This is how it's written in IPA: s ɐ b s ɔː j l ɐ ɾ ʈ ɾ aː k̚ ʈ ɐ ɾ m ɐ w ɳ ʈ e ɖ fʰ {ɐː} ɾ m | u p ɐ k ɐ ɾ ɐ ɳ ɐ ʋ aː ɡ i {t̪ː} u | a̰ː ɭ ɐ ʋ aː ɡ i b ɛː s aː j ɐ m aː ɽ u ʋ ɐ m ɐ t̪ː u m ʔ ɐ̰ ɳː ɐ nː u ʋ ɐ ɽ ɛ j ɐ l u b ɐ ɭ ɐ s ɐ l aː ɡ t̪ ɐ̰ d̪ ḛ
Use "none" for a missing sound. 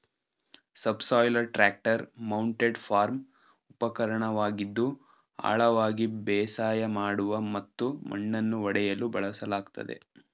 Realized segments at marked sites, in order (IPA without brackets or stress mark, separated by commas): aː, d̪ː